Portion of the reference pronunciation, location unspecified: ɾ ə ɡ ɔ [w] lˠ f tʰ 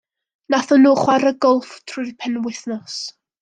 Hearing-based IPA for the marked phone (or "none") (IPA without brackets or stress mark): none